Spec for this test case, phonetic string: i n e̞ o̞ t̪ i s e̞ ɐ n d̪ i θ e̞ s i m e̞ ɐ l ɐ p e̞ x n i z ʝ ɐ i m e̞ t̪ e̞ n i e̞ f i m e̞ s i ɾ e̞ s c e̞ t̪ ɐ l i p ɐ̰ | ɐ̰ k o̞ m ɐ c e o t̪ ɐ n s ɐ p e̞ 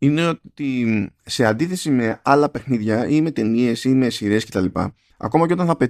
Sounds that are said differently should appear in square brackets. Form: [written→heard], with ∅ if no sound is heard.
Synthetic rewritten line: i n e̞ o̞ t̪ i s e̞ ɐ n d̪ i θ e̞ s i m e̞ ɐ l ɐ p e̞ x n i [z→ð] ʝ ɐ i m e̞ t̪ e̞ n i e̞ [f→s] i m e̞ s i ɾ e̞ s c e̞ t̪ ɐ l i p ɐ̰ | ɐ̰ k o̞ m ɐ c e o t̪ ɐ n [s→θ] ɐ p e̞